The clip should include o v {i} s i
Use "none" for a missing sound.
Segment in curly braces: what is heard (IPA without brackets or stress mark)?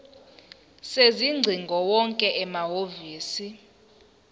iː